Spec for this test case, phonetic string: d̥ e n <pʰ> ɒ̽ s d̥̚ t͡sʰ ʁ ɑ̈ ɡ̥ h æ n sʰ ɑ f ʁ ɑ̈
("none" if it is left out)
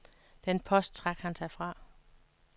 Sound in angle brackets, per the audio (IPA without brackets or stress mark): pʰ